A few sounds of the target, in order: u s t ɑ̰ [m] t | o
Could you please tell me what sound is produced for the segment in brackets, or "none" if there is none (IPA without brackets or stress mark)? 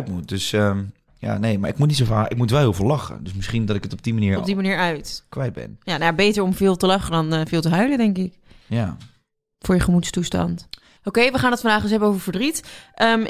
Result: n